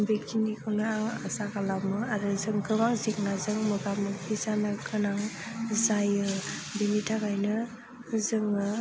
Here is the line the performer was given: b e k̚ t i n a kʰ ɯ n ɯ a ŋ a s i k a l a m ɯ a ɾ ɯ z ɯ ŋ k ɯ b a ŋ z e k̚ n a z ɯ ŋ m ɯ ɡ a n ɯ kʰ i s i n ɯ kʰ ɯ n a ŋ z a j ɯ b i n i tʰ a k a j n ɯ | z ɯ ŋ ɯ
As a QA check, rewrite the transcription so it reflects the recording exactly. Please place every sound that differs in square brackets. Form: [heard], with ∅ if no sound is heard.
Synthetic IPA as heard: b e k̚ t i n [i] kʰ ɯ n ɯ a ŋ a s [a] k a l a m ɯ a ɾ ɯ z ɯ ŋ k ɯ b a ŋ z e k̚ n a z ɯ ŋ m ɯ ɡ a [m] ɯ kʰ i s [a] n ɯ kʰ ɯ n a ŋ z a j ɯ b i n i tʰ a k a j n ɯ | z ɯ ŋ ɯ